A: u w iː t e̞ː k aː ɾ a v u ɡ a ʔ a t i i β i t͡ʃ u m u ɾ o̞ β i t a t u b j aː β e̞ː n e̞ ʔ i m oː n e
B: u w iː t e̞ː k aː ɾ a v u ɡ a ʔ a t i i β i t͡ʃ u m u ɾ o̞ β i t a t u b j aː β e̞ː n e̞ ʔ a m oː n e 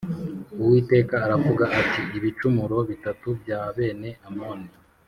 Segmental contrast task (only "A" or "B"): B